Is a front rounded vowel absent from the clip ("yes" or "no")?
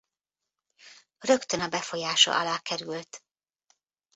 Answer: no